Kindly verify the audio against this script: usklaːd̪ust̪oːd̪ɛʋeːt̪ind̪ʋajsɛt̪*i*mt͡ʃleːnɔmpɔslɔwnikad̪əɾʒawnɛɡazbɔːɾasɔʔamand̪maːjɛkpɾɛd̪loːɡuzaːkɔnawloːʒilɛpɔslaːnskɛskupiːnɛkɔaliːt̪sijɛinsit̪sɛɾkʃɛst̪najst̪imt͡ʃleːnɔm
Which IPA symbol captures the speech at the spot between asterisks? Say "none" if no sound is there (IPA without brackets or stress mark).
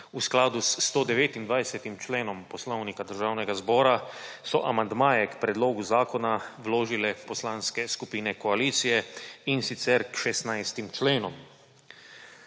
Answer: i